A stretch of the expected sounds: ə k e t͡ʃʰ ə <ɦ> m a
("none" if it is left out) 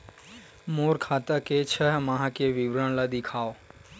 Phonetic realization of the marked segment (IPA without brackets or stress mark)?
ɦ